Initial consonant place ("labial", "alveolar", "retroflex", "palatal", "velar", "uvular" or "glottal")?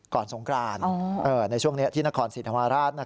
velar